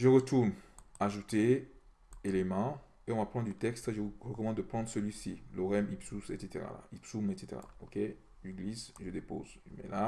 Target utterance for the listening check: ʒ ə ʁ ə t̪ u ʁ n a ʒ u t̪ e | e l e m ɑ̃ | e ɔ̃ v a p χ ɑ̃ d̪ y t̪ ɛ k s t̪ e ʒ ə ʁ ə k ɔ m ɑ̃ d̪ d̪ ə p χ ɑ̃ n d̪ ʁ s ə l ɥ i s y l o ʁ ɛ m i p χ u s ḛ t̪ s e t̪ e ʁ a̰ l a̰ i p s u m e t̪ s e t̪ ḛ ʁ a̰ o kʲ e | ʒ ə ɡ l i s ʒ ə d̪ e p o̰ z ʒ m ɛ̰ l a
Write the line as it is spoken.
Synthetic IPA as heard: ʒ ə ʁ ə t̪ u ʁ n a ʒ u t̪ e | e l e m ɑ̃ | e ɔ̃ v a p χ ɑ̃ d̪ y t̪ ɛ k s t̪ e ʒ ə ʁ ə k ɔ m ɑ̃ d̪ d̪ ə p χ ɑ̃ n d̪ ʁ s ə l ɥ i s i l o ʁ ɛ m i p s u s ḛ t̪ s e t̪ e ʁ a̰ l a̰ i p s u m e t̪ s e t̪ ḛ ʁ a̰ o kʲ e | ʒ ə ɡ l i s ʒ ə d̪ e p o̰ z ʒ m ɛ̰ l a

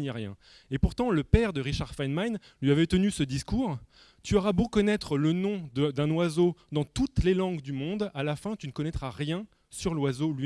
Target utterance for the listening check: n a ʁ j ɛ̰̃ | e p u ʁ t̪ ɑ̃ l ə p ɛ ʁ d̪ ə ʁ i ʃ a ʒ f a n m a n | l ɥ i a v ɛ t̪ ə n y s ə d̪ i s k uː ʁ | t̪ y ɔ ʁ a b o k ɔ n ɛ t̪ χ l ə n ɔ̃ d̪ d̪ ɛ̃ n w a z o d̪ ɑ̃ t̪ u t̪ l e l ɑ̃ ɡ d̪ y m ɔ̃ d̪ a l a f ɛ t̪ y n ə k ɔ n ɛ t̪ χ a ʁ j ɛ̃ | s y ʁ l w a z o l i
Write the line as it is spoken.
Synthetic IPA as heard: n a ʁ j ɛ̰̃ | e p u ʁ t̪ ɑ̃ l ə p ɛ ʁ d̪ ə ʁ i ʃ a ʁ f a n m a n | l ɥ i a v ɛ t̪ ə n y s ə d̪ i s k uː ʁ | t̪ y ɔ ʁ a b o k ɔ n ɛ t̪ χ l ə n ɔ̃ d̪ d̪ ɛ̃ n w a z o d̪ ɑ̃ t̪ u t̪ l e l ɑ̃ ɡ d̪ y m ɔ̃ d̪ a l a f ɛ̃ t̪ y n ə k ɔ n ɛ t̪ χ a ʁ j ɛ̃ | s y ʁ l w a z o l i

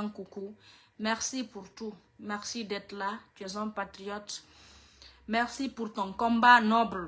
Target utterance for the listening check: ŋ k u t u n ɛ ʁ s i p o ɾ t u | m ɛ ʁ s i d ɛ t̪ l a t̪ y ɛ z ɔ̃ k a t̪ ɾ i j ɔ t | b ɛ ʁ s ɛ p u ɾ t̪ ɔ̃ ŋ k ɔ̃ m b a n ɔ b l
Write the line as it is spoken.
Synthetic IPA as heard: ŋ k u k u m ɛ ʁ s i p u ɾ t u | m ɛ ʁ s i d ɛ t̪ l a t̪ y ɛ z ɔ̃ p a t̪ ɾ i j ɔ t | m ɛ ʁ s i p u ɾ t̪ ɔ̃ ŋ k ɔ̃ m b a n ɔ b l

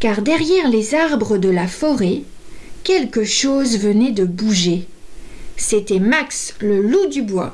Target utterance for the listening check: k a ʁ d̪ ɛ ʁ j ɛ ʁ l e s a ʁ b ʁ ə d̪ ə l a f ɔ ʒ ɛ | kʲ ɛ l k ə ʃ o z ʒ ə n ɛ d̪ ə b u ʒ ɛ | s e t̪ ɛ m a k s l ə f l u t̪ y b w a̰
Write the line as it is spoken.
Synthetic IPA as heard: k a ʁ d̪ ɛ ʁ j ɛ ʁ l e z a ʁ b ʁ ə d̪ ə l a f ɔ ʁ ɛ | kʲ ɛ l k ə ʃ o z v ə n ɛ d̪ ə b u ʒ e | s e t̪ ɛ m a k s l ə l u d̪ y b w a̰

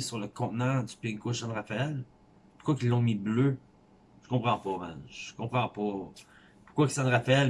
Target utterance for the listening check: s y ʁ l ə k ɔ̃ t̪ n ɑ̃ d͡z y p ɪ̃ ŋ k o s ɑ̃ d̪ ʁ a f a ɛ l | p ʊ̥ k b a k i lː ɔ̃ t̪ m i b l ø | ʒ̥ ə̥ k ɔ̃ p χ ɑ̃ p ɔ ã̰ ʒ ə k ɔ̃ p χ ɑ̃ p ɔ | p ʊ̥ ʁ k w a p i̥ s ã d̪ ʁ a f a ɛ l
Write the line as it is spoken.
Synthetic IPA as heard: s y ʁ l ə k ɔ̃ t̪ n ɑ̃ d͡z y p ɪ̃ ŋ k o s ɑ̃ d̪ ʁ a f a ɛ l | p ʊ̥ k w a k i lː ɔ̃ m i b l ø | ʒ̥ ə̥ k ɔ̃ p χ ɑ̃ p ɔ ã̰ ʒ ə k ɔ̃ p χ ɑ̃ p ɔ | p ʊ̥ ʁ k w a k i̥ s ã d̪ ʁ a f a ɛ l

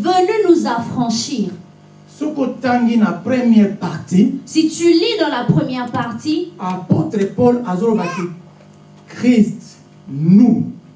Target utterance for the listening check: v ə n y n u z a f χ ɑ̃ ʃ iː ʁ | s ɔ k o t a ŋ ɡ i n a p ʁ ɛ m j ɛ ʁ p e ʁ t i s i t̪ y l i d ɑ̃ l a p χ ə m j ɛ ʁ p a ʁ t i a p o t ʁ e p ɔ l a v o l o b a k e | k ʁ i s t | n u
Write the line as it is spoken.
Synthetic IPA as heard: v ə n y n u z a f χ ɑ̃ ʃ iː ʁ | s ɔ k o t a ŋ ɡ i n a p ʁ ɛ m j ɛ ʁ p a ʁ t i s i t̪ y l i d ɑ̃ l a p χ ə m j ɛ ʁ p a ʁ t i a p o t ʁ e p ɔ l a z o l o b a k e | k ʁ i s t | n u

